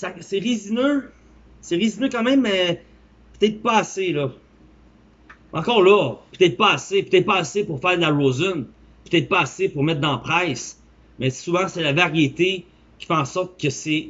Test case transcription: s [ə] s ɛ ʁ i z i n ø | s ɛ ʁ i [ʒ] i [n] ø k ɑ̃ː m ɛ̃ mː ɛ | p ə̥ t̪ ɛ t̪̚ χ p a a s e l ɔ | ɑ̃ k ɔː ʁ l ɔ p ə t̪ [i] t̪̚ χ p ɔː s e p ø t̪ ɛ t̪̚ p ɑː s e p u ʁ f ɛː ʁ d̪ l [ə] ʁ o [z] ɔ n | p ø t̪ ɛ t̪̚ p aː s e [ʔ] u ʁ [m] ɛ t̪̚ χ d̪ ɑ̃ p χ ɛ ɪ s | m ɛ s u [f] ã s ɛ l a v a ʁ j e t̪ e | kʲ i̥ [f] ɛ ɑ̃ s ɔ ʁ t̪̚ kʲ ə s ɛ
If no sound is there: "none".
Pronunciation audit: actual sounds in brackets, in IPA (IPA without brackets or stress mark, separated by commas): a, z, n, ɛ, a, z, p, m, v, f